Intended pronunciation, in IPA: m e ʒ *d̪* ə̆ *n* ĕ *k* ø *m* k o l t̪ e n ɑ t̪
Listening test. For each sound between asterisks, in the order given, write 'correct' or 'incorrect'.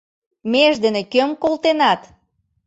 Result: correct, correct, correct, correct

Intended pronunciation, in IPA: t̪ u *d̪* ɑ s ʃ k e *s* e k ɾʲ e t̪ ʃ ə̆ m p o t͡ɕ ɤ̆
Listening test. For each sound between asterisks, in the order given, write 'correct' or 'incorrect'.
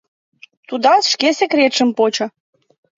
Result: correct, correct

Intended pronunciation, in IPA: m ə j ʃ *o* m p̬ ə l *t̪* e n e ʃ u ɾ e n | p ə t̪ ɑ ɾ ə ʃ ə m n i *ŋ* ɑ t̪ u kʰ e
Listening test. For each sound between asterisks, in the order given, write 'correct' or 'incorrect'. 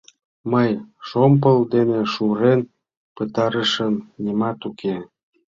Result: correct, incorrect: d̪, incorrect: m

